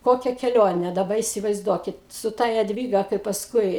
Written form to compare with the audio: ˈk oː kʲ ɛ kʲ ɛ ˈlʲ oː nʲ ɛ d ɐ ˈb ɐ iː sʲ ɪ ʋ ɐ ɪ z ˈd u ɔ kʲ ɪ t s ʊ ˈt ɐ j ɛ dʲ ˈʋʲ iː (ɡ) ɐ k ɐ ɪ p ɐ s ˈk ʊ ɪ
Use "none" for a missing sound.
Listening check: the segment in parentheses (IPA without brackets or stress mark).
ɡ